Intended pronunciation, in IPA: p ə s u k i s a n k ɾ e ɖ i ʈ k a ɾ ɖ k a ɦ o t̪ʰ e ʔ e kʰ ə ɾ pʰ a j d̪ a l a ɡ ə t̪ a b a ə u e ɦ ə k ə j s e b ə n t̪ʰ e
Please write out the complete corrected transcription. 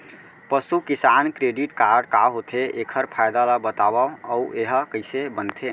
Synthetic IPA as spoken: p ə s u k i s a n k ɾ e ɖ i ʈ k a ɾ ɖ k a ɦ o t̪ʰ e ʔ e kʰ ə ɾ pʰ a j d̪ a l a b ə t̪ a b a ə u e ɦ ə k ə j s e b ə n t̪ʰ e